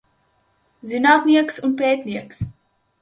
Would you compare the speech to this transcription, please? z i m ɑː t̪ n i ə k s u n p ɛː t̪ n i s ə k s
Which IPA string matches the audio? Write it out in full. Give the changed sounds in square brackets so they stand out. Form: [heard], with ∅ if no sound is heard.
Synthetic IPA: z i [n] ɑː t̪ n i ə k s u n p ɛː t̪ n i [∅] ə k s